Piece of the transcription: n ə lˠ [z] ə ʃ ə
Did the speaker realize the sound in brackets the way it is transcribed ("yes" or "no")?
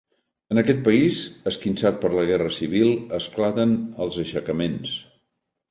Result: yes